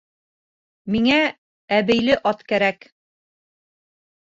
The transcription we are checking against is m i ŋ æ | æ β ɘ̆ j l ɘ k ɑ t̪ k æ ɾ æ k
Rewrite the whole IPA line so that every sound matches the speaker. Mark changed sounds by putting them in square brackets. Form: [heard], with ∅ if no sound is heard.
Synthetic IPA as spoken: m i ŋ æ | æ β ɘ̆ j l ɘ [ʔ] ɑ t̪ k æ ɾ æ k